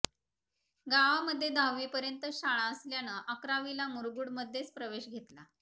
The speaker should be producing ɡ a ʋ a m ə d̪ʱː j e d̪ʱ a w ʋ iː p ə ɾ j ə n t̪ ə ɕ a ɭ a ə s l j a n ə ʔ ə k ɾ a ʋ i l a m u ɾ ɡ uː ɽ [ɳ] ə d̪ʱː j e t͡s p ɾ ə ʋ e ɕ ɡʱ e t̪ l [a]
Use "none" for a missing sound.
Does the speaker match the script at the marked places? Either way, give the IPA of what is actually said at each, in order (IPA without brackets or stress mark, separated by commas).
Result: m, a